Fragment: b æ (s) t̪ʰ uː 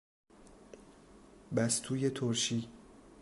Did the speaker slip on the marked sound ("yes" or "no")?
no